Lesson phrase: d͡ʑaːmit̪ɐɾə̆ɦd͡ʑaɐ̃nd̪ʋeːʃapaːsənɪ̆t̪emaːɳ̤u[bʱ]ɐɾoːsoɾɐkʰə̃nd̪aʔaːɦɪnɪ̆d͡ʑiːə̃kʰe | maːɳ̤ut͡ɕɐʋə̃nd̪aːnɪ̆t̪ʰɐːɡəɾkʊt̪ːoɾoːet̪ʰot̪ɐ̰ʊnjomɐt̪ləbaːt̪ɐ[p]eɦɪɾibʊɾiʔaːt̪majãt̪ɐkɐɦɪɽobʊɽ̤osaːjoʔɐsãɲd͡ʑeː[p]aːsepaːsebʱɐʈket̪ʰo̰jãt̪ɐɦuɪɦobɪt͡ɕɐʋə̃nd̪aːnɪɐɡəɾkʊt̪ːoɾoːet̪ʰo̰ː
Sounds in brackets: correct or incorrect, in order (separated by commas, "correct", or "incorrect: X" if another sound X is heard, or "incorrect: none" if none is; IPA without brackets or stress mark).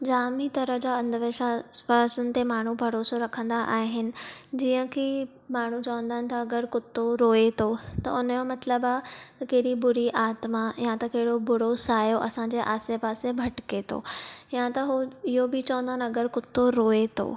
correct, incorrect: k, incorrect: ʔ